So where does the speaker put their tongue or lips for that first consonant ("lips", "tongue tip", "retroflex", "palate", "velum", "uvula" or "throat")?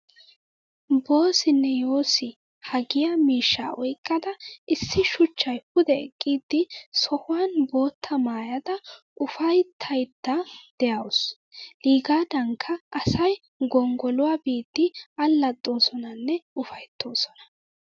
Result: lips